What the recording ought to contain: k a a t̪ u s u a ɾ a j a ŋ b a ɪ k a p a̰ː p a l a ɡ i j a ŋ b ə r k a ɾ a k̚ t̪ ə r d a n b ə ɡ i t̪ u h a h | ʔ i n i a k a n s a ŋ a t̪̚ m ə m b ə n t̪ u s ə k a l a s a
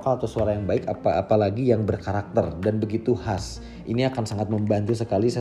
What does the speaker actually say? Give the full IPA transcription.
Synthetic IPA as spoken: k a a t̪ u s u a ɾ a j a ŋ b a ɪ k a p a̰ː p a l a ɡ i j a ŋ b ə r k a ɾ a k̚ t̪ ə r d a n b ə ɡ i t̪ u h a s | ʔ i n i a k a n s a ŋ a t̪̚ m ə m b a n t̪ u s ə k a l i s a